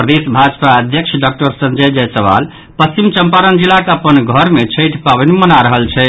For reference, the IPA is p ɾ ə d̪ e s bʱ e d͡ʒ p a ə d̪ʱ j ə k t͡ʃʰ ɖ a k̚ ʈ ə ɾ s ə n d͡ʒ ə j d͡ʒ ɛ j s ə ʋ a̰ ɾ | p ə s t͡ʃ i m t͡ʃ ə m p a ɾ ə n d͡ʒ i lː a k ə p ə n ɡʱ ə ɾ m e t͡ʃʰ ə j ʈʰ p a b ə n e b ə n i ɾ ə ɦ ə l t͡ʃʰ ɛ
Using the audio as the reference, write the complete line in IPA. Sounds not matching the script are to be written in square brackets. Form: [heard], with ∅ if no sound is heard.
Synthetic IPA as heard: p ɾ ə d̪ e s bʱ [a] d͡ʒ p a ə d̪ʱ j ə k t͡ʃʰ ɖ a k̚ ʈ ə ɾ s ə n d͡ʒ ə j d͡ʒ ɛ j s ə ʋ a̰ [l] | p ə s t͡ʃ i m t͡ʃ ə m p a ɾ ə n d͡ʒ i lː a k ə p ə n ɡʱ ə ɾ m e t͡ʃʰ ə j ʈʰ p a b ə n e [m] ə n [a] ɾ ə ɦ ə l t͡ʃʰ ɛ